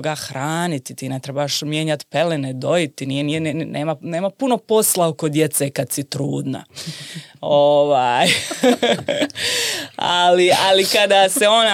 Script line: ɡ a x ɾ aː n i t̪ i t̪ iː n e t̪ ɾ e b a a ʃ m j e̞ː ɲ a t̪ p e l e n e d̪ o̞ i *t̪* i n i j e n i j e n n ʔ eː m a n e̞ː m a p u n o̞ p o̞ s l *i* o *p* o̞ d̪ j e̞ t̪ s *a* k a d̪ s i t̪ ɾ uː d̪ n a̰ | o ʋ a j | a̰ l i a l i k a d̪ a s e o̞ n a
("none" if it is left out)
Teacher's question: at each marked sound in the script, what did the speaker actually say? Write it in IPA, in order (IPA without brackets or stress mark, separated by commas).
t̪, a, k, e